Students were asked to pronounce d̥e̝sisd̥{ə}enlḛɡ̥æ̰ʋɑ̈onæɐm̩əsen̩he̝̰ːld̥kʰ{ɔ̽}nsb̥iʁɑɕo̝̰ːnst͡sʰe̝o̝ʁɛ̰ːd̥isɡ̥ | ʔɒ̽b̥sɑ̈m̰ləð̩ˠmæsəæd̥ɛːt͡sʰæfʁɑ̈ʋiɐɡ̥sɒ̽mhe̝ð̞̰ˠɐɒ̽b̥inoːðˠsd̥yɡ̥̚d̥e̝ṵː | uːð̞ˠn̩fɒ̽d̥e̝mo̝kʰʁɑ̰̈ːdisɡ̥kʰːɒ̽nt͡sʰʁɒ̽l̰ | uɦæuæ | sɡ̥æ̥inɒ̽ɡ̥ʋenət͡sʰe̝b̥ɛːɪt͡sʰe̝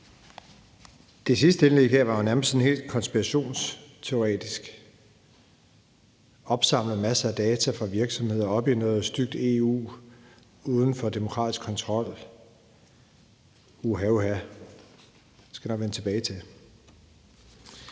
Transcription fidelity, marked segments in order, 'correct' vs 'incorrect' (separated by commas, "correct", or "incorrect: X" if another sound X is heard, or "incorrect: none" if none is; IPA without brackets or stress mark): correct, incorrect: ɒ̽